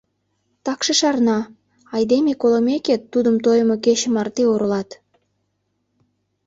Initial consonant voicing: voiceless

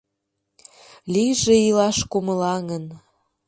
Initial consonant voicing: voiced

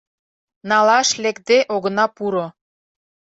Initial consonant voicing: voiced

